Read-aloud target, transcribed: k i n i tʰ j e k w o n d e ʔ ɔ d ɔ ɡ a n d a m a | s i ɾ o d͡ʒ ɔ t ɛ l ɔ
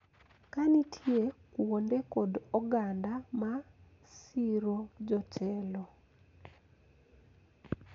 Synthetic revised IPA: k a n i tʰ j e k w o n d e k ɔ d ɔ ɡ a n d a m a | s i ɾ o d͡ʒ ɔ t͡ʃ ɛ l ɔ